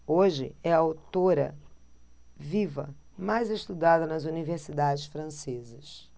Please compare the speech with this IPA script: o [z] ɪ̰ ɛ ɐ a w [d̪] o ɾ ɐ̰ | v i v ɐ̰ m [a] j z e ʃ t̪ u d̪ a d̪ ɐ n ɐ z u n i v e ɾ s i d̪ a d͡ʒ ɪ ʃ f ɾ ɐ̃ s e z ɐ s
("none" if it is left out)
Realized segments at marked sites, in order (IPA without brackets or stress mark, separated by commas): ʒ, t̪, a